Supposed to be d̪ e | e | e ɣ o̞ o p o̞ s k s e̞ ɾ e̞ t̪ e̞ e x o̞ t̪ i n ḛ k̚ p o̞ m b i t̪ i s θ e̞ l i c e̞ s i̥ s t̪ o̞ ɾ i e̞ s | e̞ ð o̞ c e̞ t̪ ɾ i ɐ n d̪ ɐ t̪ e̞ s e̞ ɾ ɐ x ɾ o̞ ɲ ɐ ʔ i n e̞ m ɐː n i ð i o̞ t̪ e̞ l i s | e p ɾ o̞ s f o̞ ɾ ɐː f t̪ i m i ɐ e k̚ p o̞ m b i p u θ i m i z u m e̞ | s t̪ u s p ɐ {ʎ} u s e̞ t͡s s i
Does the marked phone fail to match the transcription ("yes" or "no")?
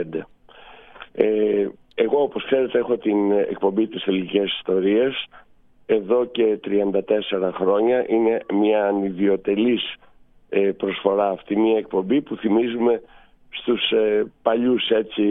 no